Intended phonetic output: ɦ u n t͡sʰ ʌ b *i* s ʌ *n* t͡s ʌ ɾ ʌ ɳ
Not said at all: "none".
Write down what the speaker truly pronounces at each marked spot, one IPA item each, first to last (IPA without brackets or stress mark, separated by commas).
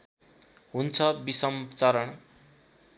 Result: i, m